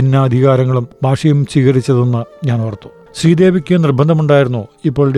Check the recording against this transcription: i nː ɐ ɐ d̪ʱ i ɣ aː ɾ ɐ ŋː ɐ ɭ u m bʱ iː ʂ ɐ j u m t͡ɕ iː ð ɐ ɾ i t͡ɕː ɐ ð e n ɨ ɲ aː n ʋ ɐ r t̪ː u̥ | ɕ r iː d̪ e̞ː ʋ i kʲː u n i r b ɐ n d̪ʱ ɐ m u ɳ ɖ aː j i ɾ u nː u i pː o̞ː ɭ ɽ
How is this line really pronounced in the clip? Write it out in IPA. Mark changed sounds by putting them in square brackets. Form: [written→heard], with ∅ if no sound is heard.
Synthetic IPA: i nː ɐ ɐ d̪ʱ i ɣ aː ɾ ɐ ŋː ɐ ɭ u m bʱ [iː→aː] ʂ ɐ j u m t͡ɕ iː [ð→ɣ] ɐ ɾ i t͡ɕː ɐ ð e [n→nː] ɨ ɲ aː n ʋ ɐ r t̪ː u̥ | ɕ r iː d̪ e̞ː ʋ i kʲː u n i r b ɐ n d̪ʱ ɐ m u ɳ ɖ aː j i ɾ u nː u i pː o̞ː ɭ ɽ